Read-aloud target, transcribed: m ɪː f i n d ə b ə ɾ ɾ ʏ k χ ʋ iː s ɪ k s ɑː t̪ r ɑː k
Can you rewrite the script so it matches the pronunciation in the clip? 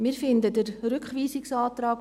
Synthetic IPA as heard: m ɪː f ɪ n d ə d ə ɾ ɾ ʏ k χ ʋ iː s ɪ k s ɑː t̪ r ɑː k